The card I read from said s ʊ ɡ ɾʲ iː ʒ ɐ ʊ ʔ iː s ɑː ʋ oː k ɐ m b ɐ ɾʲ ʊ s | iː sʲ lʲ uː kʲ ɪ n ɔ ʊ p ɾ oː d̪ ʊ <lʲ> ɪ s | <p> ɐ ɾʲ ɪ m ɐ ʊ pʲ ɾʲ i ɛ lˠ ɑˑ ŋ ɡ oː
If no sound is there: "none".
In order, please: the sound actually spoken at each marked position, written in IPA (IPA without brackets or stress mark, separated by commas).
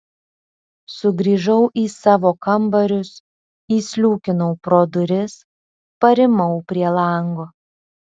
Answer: ɾʲ, p